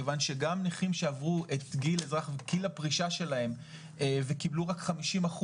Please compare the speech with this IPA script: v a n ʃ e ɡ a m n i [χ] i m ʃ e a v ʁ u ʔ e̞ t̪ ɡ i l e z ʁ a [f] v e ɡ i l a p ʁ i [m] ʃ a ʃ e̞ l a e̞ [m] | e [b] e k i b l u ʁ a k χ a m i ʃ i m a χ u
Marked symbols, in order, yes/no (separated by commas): yes, no, no, yes, no